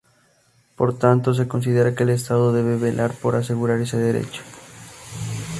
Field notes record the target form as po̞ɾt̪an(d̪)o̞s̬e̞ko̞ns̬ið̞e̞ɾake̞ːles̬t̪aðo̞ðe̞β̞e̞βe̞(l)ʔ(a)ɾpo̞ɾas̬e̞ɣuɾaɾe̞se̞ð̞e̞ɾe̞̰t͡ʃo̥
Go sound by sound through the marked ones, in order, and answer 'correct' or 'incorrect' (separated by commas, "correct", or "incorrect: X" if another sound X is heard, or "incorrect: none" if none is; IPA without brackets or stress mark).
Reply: incorrect: t̪, correct, correct